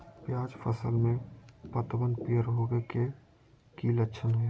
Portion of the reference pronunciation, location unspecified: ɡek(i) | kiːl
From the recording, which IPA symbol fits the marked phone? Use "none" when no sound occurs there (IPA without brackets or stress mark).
e